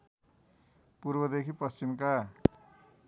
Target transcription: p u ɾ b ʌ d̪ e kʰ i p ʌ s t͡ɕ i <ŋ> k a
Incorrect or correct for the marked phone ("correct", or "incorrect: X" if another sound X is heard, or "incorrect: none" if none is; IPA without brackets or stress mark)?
incorrect: m